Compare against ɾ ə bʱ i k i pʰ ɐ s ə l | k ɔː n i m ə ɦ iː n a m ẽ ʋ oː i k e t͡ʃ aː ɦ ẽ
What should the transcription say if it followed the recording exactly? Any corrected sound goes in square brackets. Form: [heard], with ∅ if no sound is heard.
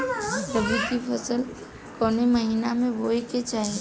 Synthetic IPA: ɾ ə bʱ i k i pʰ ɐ s ə l | k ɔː n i m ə ɦ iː n a m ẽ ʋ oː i k e t͡ʃ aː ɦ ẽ